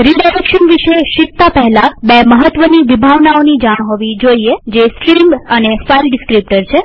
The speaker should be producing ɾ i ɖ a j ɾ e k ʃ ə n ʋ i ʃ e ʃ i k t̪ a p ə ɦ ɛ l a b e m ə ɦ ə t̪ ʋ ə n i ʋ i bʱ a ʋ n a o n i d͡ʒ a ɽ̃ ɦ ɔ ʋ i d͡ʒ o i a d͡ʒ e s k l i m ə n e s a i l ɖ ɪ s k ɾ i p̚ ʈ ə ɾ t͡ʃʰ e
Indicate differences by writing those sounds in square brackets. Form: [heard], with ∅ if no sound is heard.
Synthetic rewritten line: ɾ i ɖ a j ɾ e k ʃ ə n ʋ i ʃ e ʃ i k t̪ a p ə ɦ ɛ l a b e m ə ɦ ə t̪ ʋ ə n i ʋ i bʱ a ʋ n a o n i d͡ʒ a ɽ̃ ɦ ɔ ʋ i d͡ʒ o i [e] d͡ʒ e s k [ɾ] i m ə n e [f] a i l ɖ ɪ s k ɾ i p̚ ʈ ə ɾ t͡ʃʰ e